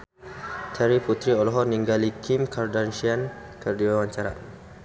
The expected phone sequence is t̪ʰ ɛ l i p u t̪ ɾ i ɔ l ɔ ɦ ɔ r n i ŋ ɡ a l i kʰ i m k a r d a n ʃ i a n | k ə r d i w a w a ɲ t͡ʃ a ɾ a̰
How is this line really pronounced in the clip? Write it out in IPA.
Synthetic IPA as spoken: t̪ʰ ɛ ɾ i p u t̪ ɾ i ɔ l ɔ ɦ ɔ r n i ŋ ɡ a l i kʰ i m k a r d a n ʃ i a n | k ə r d i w a w a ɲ t͡ʃ a ɾ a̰